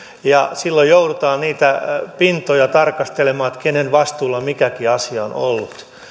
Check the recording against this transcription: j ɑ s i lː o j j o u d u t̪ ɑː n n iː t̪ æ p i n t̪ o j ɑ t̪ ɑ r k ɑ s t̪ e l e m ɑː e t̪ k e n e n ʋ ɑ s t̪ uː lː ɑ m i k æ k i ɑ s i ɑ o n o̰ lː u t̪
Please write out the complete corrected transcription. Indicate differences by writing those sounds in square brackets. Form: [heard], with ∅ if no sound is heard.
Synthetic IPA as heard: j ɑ s i lː o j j o u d u t̪ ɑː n n iː t̪ æ p i n t̪ o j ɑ t̪ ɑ r k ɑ s t̪ e l e m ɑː e t̪ k e n e n ʋ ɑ s t̪ uː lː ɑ m i k æ k i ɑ s i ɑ o n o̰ lː u t̪